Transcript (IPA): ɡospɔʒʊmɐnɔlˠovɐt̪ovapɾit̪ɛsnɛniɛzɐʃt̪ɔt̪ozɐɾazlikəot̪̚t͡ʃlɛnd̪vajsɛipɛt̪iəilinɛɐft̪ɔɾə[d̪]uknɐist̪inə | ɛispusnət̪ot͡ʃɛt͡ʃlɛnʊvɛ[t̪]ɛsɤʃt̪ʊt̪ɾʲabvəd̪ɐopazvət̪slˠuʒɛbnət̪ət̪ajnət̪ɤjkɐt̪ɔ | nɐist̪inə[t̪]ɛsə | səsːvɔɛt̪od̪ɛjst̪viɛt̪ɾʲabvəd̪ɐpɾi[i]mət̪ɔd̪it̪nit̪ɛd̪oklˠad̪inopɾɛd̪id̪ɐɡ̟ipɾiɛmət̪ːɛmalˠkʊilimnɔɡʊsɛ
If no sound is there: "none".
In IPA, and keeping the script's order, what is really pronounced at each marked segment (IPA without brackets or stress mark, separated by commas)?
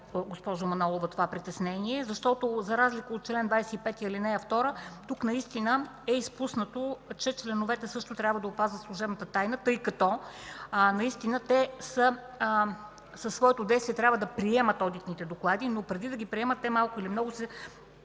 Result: t̪, t̪, t̪, ɛ